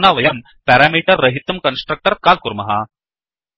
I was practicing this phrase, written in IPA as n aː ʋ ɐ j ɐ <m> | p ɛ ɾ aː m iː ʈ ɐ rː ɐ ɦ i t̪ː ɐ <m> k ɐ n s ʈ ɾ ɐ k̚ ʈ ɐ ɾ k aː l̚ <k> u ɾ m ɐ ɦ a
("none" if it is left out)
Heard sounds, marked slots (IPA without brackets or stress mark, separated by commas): m, m, k